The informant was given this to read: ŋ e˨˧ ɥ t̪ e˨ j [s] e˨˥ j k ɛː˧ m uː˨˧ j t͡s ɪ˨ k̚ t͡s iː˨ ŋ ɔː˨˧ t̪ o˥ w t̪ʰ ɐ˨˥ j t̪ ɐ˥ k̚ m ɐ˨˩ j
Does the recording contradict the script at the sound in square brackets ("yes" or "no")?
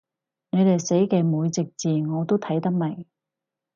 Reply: no